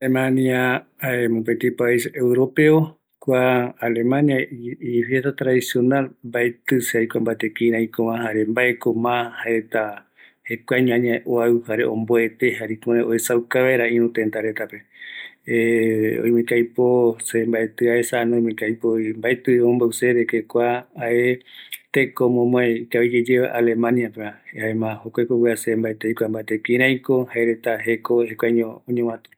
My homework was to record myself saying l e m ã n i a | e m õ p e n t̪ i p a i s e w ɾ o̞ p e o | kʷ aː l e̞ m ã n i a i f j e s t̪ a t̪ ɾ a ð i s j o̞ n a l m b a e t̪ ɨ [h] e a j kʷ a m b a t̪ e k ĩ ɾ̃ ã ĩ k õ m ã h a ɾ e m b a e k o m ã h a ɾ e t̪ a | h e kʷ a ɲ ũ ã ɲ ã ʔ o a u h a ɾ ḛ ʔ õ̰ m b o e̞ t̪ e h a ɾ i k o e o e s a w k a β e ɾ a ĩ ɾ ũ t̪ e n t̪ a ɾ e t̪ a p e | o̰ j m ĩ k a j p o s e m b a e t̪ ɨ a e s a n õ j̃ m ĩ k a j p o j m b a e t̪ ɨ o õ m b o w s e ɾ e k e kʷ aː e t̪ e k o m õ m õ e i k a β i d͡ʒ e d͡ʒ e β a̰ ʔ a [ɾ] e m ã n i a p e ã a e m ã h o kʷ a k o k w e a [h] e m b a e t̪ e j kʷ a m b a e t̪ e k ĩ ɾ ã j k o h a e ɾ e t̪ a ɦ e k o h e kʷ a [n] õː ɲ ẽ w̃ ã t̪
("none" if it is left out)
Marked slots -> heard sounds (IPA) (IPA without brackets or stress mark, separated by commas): s, l, s, ɲ